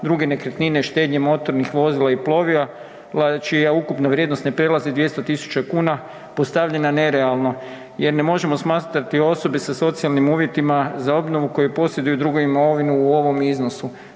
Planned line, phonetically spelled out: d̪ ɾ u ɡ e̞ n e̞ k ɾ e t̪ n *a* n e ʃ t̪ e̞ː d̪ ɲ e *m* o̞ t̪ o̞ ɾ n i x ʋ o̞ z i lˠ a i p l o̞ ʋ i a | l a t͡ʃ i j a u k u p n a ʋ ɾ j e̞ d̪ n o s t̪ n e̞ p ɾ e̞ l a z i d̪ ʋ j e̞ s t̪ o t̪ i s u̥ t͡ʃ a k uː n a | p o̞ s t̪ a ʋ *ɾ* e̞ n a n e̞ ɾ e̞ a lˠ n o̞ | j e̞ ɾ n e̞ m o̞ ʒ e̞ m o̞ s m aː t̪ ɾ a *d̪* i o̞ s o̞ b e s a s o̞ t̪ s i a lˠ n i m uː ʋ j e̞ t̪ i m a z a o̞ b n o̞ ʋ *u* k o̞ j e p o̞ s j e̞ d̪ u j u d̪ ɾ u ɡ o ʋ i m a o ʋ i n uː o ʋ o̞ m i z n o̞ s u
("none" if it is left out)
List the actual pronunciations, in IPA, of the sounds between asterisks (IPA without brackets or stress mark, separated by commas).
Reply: i, m, ʎ, t̪, u